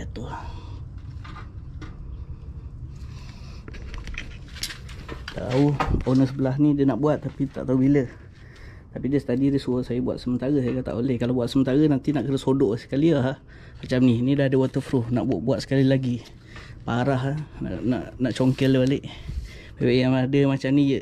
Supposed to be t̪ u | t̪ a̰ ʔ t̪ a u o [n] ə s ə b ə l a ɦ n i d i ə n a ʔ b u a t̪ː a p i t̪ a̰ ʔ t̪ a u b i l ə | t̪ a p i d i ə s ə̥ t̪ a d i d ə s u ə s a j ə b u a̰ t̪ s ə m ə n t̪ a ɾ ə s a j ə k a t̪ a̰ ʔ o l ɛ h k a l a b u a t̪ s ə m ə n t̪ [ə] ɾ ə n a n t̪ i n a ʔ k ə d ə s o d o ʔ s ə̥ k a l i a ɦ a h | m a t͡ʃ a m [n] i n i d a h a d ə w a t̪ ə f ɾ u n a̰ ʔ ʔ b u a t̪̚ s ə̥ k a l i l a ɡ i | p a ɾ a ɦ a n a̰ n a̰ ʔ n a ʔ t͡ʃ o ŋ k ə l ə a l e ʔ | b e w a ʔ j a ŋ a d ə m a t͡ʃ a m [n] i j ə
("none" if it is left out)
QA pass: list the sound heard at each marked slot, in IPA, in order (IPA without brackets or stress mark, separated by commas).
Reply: n, a, n, n